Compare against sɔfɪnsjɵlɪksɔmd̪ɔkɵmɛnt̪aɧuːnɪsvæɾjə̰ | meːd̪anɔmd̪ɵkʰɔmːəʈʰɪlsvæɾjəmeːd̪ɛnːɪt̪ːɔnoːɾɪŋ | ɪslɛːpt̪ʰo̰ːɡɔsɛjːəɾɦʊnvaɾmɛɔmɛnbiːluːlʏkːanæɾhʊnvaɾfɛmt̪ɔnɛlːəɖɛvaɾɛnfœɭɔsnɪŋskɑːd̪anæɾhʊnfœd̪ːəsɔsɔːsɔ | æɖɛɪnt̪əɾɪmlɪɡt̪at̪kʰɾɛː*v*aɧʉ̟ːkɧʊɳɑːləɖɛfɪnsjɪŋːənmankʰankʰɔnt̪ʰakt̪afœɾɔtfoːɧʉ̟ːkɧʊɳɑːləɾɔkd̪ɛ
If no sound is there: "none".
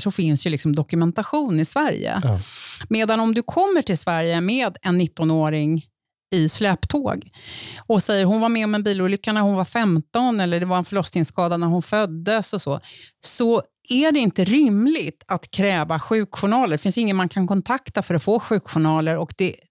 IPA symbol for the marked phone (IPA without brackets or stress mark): v